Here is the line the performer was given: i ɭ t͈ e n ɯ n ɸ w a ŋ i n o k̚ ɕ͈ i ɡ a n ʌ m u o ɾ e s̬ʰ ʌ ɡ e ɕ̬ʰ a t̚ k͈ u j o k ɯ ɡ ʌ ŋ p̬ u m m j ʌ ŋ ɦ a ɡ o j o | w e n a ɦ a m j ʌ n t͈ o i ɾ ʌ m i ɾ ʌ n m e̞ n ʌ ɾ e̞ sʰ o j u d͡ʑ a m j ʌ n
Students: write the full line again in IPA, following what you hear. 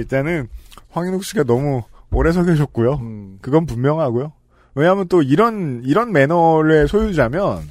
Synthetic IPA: i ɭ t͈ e n ɯ n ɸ w a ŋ i n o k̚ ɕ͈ i ɡ a n ʌ m u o ɾ e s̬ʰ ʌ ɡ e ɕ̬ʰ ʌ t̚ k͈ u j o k ɯ ɡ ʌ n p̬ u m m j ʌ ŋ ɦ a ɡ o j o | w e ɲ a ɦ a m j ʌ n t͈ o i ɾ ʌ n i ɾ ʌ n m e̞ n ʌ ɾ e̞ sʰ o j u d͡ʑ a m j ʌ n